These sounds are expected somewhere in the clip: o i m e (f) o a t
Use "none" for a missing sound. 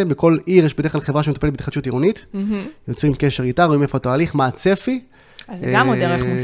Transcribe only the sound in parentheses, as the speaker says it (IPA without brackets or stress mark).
f